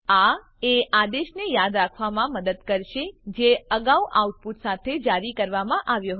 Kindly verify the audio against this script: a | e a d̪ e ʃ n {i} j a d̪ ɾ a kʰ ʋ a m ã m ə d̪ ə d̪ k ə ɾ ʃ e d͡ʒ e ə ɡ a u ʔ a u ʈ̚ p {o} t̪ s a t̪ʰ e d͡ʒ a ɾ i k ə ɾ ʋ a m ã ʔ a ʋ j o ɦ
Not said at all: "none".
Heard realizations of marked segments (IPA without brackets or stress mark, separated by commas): e, u